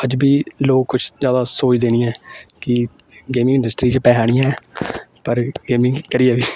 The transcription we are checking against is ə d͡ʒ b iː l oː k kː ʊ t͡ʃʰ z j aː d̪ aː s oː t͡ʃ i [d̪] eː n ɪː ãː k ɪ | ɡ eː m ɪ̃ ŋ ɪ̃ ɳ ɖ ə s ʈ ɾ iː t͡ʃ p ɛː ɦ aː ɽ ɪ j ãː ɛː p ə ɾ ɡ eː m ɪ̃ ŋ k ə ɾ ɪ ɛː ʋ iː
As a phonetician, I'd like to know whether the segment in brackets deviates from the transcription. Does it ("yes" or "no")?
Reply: no